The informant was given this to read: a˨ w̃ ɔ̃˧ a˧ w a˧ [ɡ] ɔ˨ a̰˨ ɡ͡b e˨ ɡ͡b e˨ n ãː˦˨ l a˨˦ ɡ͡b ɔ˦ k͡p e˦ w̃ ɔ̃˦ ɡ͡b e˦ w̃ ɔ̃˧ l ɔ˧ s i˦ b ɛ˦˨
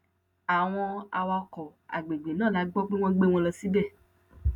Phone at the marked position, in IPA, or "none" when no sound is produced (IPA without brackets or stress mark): k